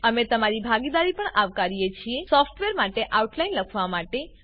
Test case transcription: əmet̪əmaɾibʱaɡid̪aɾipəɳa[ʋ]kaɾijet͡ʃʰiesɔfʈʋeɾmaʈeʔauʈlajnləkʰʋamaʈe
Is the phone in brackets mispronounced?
no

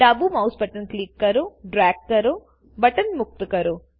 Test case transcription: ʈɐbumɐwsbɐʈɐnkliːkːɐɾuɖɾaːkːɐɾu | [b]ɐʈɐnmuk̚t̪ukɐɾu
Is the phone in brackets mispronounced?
no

